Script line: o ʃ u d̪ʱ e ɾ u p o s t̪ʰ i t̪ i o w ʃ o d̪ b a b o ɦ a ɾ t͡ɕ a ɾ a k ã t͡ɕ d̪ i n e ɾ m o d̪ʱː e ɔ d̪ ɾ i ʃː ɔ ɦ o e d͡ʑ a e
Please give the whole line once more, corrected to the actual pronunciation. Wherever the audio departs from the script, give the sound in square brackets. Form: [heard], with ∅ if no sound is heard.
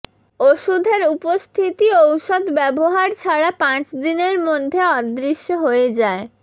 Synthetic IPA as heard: o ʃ u d̪ʱ e ɾ u p o s t̪ʰ i t̪ i o w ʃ o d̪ b [ɛ] b o ɦ a ɾ [t͡ɕʰ] a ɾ a [p] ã t͡ɕ d̪ i n e ɾ m o d̪ʱː e ɔ d̪ ɾ i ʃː [o] ɦ o e d͡ʑ a e